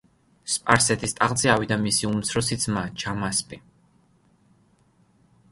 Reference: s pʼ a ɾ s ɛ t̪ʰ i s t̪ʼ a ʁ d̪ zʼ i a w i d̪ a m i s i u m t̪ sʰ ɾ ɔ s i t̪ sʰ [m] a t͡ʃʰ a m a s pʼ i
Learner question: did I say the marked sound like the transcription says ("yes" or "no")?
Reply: yes